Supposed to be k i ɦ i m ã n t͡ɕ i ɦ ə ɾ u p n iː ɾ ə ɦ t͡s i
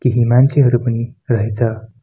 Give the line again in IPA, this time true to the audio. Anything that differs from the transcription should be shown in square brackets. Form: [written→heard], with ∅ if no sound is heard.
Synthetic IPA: k i ɦ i m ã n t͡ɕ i ɦ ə ɾ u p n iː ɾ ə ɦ t͡s [i→a]